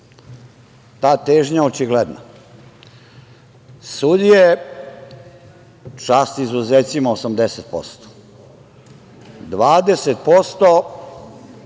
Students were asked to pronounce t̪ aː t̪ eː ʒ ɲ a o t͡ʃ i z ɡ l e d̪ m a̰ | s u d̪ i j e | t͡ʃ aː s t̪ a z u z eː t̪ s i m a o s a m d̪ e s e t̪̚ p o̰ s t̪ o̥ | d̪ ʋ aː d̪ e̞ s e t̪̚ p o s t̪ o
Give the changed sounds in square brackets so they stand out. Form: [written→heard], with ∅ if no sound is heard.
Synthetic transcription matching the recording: t̪ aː t̪ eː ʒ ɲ a o t͡ʃ i [z→∅] ɡ l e d̪ [m→n] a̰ | s u d̪ i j e | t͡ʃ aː s t̪ [a→i] z u z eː t̪ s i m a o s a m d̪ e s e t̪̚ p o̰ s t̪ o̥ | d̪ ʋ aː d̪ e̞ s e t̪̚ p o s t̪ o